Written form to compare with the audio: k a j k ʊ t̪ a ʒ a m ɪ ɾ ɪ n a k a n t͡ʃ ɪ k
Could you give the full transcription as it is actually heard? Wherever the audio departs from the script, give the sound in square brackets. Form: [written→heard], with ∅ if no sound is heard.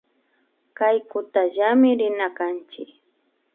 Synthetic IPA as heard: k a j k ʊ t̪ a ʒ a m ɪ ɾ ɪ n a k a n t͡ʃ ɪ k